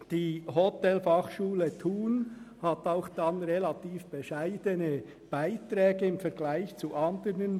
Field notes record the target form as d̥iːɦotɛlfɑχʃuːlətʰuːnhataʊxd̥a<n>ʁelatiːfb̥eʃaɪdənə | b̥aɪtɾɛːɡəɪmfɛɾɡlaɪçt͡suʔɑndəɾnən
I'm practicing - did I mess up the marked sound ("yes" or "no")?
no